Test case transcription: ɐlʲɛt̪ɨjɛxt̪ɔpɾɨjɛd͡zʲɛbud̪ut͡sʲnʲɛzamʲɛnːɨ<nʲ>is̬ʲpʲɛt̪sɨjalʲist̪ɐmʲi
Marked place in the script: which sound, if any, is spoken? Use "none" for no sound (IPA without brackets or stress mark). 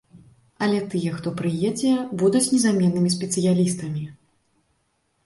mʲ